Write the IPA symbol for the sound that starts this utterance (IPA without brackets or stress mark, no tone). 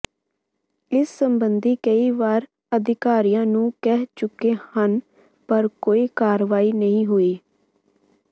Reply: ɪ